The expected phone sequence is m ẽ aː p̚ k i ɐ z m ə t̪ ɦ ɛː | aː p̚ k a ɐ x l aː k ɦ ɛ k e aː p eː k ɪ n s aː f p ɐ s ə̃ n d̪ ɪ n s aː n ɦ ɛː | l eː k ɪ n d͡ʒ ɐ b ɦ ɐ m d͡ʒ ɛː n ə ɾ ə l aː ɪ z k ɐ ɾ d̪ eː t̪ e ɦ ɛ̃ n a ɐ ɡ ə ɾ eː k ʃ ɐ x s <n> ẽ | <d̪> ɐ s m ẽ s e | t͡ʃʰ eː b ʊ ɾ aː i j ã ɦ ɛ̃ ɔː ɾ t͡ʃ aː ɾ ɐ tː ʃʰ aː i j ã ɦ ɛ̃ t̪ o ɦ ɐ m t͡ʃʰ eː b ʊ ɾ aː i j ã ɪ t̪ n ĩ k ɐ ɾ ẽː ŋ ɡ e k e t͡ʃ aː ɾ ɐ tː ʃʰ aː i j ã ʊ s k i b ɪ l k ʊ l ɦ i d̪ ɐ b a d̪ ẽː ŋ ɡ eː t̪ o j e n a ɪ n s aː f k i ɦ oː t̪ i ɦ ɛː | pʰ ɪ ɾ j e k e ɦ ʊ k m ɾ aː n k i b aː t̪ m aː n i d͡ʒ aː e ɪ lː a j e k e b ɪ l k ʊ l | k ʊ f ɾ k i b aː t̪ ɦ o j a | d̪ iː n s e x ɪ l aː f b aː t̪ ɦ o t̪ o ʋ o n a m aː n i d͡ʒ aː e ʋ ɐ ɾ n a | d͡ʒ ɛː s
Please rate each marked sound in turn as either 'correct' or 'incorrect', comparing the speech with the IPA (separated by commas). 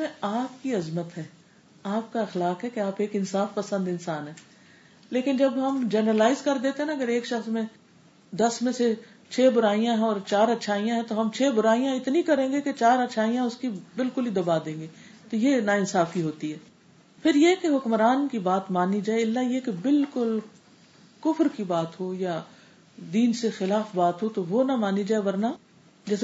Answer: incorrect, correct